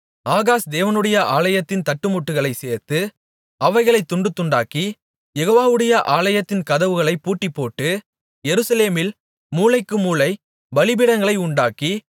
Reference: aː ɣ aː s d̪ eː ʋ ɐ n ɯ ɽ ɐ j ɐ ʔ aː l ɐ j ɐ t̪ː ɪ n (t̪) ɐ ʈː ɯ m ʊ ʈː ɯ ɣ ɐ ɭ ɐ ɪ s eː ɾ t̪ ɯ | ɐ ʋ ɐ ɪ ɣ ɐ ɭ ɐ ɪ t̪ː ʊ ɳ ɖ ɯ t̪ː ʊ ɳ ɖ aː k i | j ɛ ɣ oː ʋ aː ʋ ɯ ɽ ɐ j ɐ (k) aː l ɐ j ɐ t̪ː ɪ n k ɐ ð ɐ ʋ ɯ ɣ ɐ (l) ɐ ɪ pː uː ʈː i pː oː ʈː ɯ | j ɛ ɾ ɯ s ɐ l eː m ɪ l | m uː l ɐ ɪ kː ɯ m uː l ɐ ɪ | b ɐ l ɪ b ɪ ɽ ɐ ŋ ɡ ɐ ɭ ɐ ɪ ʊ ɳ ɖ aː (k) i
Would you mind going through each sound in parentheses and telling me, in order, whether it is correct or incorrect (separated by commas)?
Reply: correct, incorrect, incorrect, correct